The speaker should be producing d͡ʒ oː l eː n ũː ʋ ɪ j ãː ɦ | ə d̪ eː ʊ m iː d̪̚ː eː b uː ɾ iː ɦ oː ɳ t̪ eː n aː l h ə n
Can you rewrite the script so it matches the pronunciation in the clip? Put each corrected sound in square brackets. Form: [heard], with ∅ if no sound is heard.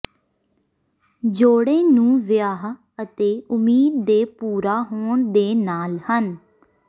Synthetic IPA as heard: d͡ʒ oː [ɽ] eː n ũː ʋ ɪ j [aː] ɦ | ə [t̪] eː ʊ m iː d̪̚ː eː [p] uː ɾ [aː] ɦ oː ɳ [d̪] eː n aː l h ə n